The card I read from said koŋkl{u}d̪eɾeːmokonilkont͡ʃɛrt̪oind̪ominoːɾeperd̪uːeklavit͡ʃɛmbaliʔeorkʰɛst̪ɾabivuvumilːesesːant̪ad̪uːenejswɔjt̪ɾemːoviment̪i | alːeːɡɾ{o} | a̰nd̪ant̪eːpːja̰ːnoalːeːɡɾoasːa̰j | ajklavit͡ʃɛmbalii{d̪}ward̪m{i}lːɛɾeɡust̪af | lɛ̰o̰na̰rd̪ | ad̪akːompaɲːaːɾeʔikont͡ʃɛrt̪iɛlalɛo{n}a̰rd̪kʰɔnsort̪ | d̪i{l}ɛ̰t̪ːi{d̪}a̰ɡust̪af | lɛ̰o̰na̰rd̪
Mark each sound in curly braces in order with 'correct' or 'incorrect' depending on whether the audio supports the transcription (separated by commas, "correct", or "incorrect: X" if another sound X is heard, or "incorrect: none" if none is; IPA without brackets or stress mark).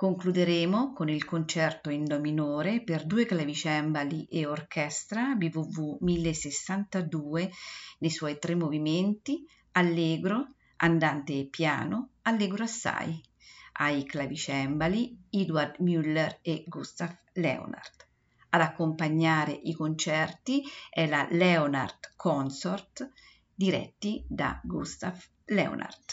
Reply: correct, correct, correct, incorrect: y, correct, incorrect: ɾ, correct